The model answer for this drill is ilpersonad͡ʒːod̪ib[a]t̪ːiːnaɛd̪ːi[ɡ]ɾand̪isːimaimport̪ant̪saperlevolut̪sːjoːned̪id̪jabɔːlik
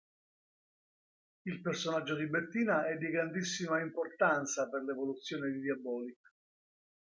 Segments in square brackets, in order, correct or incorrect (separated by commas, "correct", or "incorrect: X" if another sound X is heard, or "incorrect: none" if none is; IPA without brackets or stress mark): incorrect: e, correct